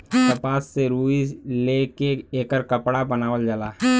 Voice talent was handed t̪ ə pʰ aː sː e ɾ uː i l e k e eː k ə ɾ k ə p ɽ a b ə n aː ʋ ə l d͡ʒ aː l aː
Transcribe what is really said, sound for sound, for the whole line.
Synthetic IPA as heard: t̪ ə p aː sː e ɾ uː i l e k e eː k ə ɾ k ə p ɽ a b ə n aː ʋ ə l d͡ʒ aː l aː